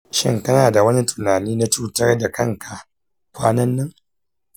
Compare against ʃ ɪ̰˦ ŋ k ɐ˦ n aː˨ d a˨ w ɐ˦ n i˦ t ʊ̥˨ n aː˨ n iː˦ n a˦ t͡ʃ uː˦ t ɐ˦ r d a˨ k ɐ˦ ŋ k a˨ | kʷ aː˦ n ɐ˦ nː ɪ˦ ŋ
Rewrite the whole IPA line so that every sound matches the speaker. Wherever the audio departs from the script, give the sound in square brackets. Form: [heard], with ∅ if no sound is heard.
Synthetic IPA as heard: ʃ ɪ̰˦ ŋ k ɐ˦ n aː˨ d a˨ w ɐ˦ n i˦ t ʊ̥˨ n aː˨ n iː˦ n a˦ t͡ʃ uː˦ t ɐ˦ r d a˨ k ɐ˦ ŋ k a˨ | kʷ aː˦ n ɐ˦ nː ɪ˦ ŋ